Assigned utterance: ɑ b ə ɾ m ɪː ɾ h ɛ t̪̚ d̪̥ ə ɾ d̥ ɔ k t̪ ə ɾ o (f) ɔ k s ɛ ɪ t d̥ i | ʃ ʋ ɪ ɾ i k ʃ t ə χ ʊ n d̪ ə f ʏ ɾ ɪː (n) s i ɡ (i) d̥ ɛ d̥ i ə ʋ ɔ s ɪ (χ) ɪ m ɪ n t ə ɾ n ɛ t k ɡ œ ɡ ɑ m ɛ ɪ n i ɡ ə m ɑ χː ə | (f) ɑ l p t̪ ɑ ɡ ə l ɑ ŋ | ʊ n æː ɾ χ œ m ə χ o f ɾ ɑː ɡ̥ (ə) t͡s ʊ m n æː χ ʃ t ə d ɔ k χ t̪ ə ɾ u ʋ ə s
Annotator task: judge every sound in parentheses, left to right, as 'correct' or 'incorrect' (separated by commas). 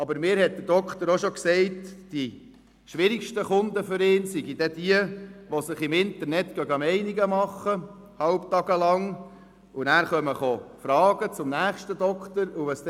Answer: incorrect, correct, correct, correct, incorrect, correct